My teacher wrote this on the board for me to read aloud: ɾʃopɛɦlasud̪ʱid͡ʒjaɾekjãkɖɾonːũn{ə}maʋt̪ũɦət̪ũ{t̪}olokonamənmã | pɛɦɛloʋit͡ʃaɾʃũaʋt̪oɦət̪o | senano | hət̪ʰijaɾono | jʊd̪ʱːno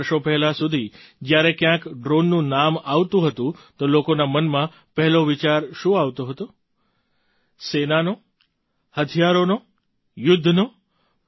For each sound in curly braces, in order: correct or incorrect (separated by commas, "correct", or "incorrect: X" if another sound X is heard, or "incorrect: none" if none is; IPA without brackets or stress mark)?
incorrect: a, correct